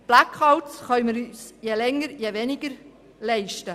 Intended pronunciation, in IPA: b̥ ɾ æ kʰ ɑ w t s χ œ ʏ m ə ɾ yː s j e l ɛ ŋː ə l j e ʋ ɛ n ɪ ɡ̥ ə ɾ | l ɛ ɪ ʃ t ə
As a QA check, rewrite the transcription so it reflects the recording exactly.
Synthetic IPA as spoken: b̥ l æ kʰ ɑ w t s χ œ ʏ m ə ɾ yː s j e l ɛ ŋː ə ɾ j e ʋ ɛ n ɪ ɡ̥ ə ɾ | l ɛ ɪ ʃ t ə

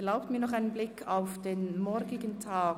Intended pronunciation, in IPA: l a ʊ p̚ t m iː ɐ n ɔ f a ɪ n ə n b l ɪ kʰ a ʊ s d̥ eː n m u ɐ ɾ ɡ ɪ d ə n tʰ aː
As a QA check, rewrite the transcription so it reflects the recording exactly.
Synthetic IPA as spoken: l a ʊ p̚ t m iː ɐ n ɔ χ a ɪ n ə n b l ɪ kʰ a ʊ f d̥ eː n m ɔ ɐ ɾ ɡ ɪ ɡ ə n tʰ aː

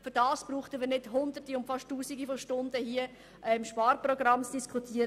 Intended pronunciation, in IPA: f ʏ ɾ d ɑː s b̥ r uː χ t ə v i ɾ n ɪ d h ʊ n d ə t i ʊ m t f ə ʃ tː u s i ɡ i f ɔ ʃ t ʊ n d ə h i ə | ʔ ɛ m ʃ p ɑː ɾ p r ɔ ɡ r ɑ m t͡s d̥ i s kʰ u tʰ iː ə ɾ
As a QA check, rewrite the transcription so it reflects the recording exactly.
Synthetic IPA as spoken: f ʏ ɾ d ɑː s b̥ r uː χ t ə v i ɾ n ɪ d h ʊ n d ə t i ʊ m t f ɑ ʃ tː uː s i ɡ i f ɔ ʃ t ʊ n d ə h i ə | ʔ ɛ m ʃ p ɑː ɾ p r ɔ ɡ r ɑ m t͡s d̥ i s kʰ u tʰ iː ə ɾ

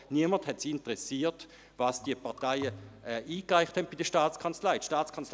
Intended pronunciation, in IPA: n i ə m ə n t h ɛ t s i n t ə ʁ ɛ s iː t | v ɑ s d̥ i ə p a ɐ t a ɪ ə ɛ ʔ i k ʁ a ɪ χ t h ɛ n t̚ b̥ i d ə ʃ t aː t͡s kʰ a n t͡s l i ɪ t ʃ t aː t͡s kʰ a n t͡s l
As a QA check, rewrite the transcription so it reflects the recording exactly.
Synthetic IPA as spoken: n i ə m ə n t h ɛ t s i n t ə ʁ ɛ s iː t | v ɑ s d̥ i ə p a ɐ t a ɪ ə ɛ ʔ iː k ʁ a ɪ χ t h ɛ n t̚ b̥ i d ə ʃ t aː t͡s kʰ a n t͡s l a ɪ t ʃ t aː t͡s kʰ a n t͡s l

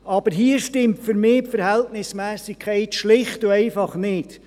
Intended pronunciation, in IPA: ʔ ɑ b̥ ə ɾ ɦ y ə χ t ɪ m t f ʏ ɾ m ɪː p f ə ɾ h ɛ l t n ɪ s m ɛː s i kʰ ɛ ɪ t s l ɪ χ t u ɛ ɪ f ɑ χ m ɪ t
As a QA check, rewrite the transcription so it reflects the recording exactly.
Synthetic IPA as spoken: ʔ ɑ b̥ ə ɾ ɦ i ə ʃ t ɪ m t f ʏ ɾ m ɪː p f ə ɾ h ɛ l t n ɪ s m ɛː s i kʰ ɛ ɪ t ʃ l ɪ χ t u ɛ ɪ f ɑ χ n ɪ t

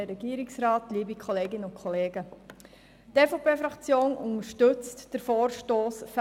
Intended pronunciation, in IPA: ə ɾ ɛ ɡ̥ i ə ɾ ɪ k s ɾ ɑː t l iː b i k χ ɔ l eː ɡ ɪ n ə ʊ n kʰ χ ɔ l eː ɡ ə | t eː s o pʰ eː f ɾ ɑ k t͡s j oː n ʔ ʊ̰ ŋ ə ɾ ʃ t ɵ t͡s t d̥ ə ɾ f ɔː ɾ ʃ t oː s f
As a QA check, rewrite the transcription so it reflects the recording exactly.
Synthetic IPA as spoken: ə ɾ ɛ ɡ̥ i ə ɾ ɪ k s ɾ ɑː t l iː b i k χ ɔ l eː ɡ ɪ n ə ʊ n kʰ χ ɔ l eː ɡ ə | t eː f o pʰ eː f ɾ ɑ k t͡s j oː n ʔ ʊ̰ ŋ ə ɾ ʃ t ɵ t͡s t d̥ ə ɾ f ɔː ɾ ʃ t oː s f

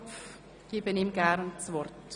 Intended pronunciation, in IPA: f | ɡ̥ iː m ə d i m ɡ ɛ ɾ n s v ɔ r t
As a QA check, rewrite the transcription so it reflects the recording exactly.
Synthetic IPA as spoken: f | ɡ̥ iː b ə n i m ɡ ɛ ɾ n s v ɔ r t

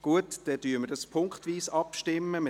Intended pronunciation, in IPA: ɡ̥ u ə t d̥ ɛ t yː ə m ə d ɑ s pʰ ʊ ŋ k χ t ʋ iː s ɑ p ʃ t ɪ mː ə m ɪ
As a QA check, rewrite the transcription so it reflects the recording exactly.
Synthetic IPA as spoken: ɡ̥ u ə t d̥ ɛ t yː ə m ə d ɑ s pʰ ʊ ŋ k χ t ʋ iː s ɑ p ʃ t ɪ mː ə m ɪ

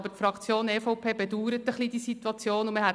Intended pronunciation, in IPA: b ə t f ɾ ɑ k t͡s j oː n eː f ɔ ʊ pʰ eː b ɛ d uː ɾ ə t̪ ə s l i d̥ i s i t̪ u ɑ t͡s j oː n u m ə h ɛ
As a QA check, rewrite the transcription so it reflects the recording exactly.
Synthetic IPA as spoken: b ə t f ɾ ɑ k t͡s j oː n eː f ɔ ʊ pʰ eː b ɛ d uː ɾ ə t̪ ə χ l i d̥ i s i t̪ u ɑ t͡s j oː n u m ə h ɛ

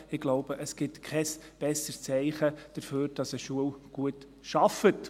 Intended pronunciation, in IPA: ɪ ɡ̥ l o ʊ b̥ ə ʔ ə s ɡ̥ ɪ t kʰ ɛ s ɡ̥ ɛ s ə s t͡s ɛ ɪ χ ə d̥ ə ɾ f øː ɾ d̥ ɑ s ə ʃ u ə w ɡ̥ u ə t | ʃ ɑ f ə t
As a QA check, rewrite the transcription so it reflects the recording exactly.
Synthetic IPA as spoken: ɪ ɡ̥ l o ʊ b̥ ə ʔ ə s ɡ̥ ɪ t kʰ ɛ s b̥ ɛ s ə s t͡s ɛ ɪ χ ə d̥ ə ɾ f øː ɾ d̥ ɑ s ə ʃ u ə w ɡ̥ u ə t | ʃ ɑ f ə t

